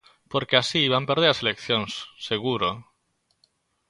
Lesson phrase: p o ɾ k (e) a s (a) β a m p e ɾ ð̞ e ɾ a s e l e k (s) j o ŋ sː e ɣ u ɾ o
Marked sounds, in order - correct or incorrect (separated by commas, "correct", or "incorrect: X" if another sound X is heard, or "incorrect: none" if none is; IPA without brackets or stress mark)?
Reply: correct, incorrect: i, incorrect: θ